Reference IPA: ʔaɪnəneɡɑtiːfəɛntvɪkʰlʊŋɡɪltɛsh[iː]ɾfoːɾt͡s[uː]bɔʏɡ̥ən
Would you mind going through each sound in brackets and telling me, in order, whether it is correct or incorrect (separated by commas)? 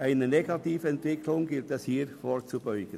correct, incorrect